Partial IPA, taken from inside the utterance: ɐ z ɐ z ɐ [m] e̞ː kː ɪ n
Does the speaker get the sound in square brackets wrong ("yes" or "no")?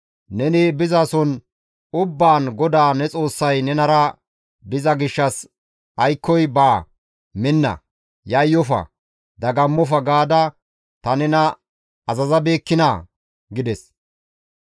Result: yes